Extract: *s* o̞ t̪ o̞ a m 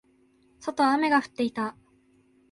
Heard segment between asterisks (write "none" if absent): s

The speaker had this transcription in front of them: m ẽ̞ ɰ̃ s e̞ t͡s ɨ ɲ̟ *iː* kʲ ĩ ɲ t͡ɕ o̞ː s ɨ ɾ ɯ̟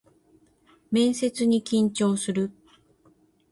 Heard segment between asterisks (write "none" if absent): i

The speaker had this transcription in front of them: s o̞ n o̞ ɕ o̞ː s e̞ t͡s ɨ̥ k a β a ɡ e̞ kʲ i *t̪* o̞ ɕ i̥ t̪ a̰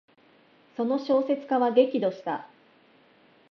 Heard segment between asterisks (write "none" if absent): d̪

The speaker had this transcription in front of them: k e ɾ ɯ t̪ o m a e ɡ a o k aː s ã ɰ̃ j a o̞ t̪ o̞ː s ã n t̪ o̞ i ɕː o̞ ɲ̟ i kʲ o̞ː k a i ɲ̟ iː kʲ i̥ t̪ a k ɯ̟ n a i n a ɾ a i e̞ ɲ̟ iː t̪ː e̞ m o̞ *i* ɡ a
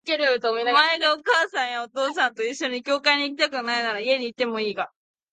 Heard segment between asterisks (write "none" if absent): iː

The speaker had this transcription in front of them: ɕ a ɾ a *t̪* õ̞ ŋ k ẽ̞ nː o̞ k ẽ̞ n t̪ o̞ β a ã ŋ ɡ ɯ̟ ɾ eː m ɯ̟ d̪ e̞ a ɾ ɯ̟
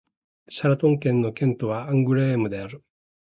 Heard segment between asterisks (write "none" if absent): t̪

